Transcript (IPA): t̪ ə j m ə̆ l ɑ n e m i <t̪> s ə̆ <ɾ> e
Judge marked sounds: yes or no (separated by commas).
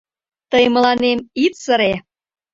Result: yes, yes